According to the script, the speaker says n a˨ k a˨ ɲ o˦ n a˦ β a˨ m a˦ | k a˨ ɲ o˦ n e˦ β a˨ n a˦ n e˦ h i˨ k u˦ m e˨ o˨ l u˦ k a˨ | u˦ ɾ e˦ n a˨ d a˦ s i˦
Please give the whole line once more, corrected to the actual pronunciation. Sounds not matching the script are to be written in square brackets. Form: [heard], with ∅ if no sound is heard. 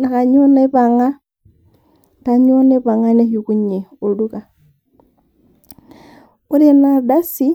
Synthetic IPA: n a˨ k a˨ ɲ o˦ n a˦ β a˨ [ŋ] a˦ | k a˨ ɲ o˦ n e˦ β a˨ [ŋ] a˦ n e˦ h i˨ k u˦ [ɲ] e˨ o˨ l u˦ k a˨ | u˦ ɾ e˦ n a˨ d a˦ s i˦

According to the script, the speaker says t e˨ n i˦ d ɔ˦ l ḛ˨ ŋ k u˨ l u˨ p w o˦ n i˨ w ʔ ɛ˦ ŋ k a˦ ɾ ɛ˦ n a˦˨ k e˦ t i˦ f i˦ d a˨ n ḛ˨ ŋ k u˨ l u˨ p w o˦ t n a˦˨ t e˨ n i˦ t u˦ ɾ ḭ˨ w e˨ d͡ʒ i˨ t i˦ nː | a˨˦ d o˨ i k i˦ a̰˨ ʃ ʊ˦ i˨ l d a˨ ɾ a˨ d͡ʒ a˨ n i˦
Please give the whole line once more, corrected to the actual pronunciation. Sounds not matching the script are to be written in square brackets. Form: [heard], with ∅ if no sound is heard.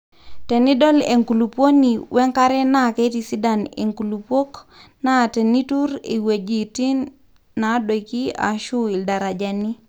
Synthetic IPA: t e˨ n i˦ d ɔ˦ l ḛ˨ ŋ k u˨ l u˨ p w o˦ n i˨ w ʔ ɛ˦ ŋ k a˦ ɾ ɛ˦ n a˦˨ k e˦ t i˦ [s] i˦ d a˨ n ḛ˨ ŋ k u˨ l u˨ p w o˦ [k] n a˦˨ t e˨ n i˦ t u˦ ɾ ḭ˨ w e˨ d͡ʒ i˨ t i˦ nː | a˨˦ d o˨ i k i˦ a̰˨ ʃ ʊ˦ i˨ l d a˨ ɾ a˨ d͡ʒ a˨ n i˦

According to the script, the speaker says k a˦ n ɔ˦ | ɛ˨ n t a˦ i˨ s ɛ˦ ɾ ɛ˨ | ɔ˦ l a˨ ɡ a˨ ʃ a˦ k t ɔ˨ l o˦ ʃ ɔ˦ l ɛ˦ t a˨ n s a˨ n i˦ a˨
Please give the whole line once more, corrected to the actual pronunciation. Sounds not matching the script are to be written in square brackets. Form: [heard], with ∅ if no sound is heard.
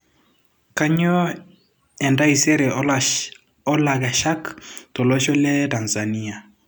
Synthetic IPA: k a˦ [ɲ] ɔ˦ | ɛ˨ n [d] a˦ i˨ s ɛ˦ ɾ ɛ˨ | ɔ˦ l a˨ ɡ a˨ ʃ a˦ k t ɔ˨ l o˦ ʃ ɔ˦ l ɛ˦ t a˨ n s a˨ n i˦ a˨

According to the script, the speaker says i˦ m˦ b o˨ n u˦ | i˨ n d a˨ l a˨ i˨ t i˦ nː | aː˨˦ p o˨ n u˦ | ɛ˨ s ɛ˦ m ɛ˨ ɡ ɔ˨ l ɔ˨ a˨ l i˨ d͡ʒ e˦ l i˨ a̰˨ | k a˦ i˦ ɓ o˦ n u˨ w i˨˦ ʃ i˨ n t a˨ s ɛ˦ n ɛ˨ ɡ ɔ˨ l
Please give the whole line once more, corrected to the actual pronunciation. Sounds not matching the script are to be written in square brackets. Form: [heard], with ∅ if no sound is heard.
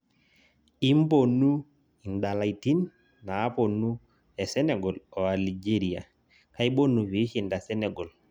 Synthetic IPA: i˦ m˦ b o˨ n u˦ | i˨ n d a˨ l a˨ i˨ t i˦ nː | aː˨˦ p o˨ n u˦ | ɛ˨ s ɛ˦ [n] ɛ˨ ɡ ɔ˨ l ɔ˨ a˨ l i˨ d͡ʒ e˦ [ɾ] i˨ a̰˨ | k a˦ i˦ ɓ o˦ n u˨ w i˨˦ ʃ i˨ n [d] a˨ s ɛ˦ n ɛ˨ ɡ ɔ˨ l

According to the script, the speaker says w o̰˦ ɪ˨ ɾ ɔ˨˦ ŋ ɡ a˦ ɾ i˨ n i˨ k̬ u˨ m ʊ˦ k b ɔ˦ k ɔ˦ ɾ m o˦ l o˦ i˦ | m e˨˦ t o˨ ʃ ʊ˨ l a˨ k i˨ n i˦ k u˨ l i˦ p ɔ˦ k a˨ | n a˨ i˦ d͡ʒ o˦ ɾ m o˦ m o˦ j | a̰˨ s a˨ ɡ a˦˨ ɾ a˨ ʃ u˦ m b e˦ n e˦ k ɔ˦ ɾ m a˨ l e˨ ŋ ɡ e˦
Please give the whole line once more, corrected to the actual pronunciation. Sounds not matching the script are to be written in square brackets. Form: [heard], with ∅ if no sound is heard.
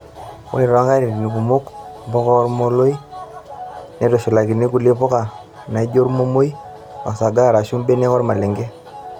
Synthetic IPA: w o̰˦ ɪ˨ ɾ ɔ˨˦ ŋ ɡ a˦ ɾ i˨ n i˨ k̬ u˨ m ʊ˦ k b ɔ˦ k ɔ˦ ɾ m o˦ l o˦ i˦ | [n] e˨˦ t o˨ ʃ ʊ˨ l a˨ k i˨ n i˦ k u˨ l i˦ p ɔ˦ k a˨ | n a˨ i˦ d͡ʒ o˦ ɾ m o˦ m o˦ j | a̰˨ s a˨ ɡ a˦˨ ɾ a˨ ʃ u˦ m b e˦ n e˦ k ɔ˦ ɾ m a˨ l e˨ ŋ ɡ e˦

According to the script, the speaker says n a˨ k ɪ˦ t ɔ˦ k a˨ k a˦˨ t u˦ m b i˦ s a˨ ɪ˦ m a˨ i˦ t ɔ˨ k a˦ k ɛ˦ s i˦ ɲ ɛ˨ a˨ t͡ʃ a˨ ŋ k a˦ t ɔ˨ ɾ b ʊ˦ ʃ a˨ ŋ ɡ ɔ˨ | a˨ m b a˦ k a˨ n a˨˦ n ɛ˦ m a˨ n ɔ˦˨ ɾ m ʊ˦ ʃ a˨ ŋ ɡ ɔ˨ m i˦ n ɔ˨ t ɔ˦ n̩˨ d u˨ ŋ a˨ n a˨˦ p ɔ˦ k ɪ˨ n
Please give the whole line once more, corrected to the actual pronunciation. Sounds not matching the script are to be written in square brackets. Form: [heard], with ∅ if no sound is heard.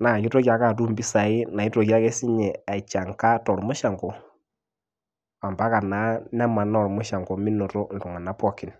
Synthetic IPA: n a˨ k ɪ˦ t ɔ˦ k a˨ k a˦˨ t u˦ m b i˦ s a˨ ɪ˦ [n] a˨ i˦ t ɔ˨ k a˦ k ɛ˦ s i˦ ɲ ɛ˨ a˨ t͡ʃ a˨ ŋ k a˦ t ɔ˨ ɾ [m] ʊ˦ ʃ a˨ ŋ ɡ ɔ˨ | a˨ m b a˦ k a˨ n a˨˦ n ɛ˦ m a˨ n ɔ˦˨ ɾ m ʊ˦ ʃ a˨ ŋ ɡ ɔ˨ m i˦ n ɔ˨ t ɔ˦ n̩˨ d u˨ ŋ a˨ n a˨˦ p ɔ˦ k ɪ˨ n

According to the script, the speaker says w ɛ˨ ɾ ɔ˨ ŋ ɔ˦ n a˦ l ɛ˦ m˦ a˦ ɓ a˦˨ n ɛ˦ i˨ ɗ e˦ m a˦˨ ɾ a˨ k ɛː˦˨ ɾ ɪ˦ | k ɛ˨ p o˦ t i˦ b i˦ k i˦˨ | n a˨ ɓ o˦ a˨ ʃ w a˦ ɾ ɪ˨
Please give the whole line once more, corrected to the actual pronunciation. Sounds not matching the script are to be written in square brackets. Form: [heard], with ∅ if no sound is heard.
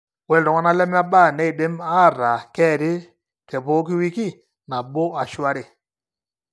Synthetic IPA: w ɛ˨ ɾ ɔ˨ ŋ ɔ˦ n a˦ l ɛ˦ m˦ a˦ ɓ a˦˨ n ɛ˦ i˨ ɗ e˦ m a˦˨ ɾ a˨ k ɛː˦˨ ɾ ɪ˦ | k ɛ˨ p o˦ [k] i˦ [w] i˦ k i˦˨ | n a˨ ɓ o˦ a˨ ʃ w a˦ ɾ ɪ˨

